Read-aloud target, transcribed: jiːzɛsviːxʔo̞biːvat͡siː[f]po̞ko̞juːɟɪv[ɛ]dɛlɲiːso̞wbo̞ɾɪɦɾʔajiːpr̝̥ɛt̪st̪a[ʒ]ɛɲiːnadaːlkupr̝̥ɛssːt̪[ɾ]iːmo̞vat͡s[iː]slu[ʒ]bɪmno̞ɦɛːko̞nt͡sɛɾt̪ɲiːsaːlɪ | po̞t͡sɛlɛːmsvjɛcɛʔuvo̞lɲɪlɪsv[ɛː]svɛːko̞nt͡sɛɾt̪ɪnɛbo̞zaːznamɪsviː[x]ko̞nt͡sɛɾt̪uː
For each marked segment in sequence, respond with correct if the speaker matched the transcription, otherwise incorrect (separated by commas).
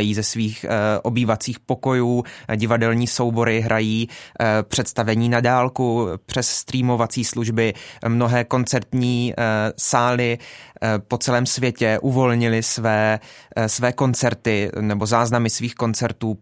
incorrect, incorrect, incorrect, correct, correct, correct, correct, correct